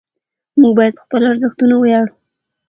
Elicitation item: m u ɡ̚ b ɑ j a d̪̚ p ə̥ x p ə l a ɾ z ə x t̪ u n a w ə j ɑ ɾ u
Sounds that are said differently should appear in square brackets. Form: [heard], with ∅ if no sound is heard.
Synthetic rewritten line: m u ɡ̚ b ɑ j a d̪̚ p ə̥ x p ə l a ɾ z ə x t̪ u n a w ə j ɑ [ɽ] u